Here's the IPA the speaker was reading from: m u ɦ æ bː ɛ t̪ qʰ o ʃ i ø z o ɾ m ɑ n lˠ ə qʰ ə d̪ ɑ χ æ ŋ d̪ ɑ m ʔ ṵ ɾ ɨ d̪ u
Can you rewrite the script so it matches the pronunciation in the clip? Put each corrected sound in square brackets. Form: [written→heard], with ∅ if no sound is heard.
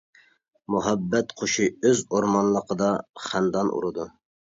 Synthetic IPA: m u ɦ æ bː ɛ t̪ qʰ o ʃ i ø z o ɾ m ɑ n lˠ ə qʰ ə d̪ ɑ χ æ [ŋ→n] d̪ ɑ [m→n] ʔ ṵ ɾ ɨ d̪ u